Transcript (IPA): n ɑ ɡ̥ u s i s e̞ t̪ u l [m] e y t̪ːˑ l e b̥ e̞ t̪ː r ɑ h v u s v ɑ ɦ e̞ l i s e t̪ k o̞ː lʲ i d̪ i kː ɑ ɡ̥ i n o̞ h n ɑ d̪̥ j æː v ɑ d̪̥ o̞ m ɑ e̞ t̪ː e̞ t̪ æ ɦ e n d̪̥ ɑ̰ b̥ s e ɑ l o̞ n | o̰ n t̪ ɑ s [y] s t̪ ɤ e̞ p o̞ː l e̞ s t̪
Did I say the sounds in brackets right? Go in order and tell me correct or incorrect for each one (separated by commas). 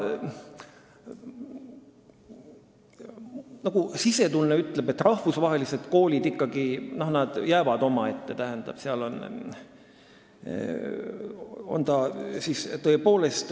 incorrect, incorrect